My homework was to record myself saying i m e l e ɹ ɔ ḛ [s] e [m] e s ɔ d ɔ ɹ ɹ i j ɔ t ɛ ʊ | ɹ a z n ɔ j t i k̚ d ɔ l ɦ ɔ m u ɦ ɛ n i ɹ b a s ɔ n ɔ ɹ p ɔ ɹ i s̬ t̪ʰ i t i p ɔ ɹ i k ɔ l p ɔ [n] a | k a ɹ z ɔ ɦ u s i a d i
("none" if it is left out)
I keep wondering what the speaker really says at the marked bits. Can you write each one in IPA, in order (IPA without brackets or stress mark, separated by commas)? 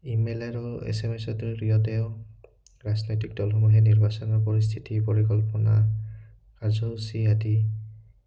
s, m, n